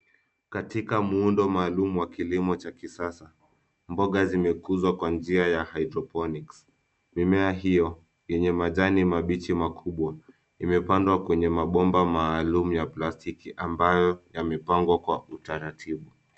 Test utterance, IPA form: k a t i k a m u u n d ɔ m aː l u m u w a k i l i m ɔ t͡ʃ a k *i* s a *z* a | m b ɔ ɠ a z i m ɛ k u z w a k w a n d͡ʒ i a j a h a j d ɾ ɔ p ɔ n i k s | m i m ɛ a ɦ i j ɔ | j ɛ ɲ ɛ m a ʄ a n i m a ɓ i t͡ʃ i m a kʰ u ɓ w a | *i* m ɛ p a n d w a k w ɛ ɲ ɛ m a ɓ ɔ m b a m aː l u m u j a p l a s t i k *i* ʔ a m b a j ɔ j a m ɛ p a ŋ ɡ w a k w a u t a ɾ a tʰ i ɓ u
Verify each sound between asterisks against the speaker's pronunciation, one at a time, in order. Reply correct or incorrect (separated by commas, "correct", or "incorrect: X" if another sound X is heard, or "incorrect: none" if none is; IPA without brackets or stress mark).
correct, incorrect: s, correct, correct